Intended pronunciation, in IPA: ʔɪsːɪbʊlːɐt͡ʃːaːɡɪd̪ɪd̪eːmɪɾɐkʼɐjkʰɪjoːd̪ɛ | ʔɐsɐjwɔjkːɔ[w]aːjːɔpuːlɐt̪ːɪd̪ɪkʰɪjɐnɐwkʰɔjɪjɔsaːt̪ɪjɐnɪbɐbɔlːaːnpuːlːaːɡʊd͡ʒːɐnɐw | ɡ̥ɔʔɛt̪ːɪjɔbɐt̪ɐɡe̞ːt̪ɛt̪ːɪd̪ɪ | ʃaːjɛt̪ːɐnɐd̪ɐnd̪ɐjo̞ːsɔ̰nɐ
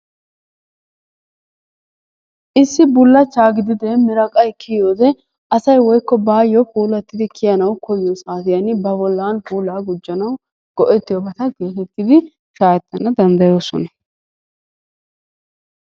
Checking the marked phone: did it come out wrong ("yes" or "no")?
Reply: yes